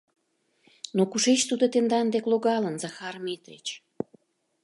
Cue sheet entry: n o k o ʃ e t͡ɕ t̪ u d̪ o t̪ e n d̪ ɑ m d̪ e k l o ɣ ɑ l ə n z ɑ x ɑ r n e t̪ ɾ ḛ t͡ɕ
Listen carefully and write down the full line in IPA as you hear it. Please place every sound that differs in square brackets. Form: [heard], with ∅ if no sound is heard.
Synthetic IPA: n o k [u] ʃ e t͡ɕ t̪ u d̪ o t̪ e n d̪ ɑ [n] d̪ e k l o ɣ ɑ l ə n z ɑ x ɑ r [m] e t̪ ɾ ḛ t͡ɕ